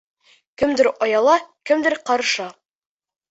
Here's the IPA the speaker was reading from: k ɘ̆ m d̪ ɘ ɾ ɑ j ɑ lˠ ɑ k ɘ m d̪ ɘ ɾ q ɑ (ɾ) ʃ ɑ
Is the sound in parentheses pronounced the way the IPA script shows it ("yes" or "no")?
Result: yes